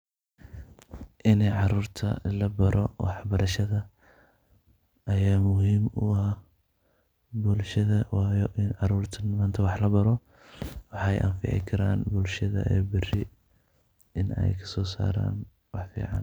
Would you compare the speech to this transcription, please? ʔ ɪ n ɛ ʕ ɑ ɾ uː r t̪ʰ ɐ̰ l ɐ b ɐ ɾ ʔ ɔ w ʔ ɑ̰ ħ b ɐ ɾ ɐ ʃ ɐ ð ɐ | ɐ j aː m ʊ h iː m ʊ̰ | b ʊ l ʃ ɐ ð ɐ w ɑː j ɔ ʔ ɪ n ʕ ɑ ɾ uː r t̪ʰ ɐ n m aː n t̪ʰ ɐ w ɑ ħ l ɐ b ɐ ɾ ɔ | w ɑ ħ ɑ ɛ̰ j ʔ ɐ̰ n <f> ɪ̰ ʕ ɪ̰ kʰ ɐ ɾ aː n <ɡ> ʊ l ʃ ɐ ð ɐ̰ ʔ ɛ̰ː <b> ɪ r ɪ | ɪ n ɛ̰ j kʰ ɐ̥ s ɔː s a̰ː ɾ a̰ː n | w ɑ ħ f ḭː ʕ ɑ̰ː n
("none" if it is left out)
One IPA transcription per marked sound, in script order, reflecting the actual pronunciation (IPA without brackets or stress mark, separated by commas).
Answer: f, b, b